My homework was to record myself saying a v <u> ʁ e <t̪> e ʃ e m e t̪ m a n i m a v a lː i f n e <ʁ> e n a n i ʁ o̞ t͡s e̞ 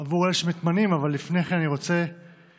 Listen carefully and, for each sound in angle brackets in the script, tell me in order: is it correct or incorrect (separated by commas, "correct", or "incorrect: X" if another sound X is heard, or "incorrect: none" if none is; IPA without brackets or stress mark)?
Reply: correct, incorrect: none, incorrect: χ